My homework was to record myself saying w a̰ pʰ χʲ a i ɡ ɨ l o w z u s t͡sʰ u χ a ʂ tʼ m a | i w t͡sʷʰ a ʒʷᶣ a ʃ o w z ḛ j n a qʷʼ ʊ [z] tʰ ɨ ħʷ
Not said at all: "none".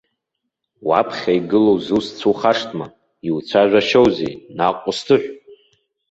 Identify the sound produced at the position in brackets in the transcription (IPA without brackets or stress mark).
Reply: s